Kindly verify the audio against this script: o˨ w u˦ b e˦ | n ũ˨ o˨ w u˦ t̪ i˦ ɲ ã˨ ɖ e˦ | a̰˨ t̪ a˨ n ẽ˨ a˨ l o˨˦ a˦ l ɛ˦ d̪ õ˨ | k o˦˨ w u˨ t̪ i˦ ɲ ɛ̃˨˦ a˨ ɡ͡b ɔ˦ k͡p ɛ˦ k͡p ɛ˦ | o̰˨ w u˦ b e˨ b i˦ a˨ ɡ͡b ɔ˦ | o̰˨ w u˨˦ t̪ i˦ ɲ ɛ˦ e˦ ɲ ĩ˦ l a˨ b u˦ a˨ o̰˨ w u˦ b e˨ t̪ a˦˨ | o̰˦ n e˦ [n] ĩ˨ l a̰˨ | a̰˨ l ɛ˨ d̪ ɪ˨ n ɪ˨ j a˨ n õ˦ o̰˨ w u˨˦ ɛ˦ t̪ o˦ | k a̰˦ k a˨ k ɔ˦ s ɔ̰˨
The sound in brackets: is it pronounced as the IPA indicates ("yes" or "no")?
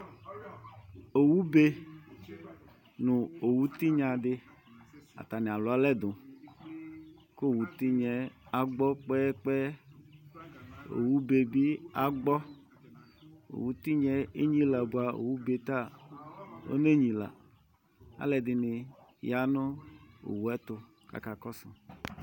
no